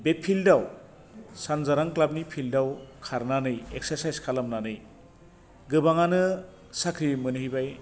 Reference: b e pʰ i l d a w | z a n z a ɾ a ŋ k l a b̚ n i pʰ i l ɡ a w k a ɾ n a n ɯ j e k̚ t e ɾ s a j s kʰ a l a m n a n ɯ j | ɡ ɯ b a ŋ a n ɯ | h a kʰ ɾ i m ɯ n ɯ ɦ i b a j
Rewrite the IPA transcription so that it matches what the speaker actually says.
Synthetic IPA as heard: b e pʰ i l d a w | s a n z a ɾ a ŋ k l a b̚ n i pʰ i l d a w kʰ a ɾ n a n ɯ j e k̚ s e ɾ s a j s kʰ a l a m n a n ɯ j | ɡ ɯ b a ŋ a n ɯ | s a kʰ ɾ i m ɯ n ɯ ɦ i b a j